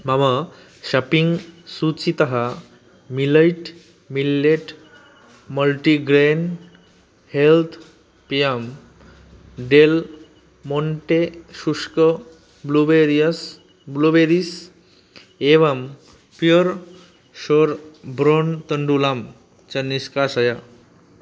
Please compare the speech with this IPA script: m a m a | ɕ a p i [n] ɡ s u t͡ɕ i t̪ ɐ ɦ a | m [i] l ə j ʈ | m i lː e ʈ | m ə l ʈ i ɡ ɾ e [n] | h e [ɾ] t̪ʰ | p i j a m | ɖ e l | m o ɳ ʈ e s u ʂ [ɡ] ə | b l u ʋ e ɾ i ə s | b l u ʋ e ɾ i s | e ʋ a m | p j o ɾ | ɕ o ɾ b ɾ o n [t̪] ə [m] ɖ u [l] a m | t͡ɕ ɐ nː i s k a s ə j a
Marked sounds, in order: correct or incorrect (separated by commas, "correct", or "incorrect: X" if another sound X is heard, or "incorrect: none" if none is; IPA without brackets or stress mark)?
incorrect: ŋ, correct, correct, incorrect: l, incorrect: k, correct, incorrect: ɳ, correct